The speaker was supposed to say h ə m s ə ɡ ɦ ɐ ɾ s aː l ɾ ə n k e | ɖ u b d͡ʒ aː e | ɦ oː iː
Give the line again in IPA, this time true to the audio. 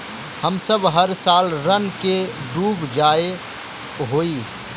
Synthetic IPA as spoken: h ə m s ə b ɦ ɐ ɾ s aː l ɾ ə n k e | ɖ uː b d͡ʒ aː e | ɦ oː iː